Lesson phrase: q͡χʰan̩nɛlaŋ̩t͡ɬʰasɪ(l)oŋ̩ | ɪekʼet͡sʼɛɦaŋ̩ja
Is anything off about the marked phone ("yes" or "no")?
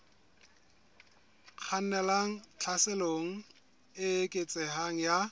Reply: no